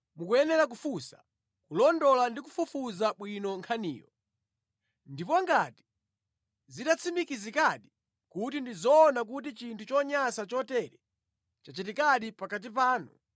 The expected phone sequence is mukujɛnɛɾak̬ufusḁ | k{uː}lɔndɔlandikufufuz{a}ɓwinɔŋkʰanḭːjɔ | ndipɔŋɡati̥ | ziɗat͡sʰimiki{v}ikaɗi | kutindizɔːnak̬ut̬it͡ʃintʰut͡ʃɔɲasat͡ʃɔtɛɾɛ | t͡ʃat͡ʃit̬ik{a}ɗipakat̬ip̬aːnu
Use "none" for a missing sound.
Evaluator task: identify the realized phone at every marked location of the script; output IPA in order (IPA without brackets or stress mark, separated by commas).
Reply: u, a, z, a